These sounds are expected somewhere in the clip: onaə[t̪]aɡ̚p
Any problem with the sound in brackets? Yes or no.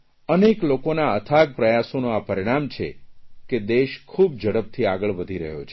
yes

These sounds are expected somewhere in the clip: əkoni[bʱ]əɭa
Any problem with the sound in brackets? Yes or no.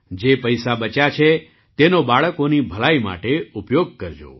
no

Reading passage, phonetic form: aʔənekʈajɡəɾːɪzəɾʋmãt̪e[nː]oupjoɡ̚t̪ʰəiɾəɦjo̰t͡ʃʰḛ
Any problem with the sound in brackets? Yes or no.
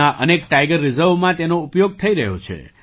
yes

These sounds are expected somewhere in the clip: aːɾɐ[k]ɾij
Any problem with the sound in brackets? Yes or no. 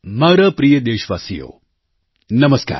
yes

